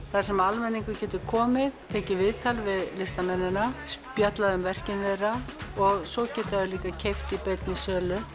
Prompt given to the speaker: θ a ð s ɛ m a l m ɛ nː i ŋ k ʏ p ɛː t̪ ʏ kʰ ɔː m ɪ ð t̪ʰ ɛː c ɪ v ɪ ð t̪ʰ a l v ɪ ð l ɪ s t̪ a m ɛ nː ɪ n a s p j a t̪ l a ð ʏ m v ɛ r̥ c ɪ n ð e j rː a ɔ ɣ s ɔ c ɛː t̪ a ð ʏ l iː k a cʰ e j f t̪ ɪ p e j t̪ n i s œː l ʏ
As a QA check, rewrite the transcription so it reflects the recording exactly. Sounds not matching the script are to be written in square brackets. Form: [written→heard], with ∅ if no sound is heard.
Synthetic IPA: θ a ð s ɛ m a l m ɛ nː i ŋ k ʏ [p→c] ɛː t̪ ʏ kʰ ɔː m ɪ ð t̪ʰ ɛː c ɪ v ɪ ð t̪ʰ a l v ɪ ð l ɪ s t̪ a m ɛ nː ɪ n a s p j a t̪ l a ð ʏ m v ɛ r̥ c ɪ n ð e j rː a ɔ ɣ s ɔ c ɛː t̪ a ð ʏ l iː k a cʰ e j f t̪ ɪ p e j t̪ n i s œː l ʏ